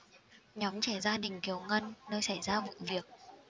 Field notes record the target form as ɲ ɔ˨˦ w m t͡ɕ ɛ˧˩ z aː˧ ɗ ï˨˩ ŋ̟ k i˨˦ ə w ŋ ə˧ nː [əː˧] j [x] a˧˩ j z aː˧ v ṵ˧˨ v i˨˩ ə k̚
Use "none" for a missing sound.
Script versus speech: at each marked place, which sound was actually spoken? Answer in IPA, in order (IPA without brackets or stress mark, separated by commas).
əː˧, s